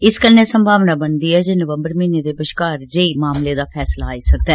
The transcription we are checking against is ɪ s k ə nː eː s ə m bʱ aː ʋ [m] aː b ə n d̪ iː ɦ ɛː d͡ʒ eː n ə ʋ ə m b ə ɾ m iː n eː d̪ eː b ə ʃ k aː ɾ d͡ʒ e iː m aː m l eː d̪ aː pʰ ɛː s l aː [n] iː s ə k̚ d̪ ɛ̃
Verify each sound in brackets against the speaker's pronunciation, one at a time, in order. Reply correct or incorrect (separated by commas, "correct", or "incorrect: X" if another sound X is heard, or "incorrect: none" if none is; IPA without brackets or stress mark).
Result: incorrect: n, incorrect: none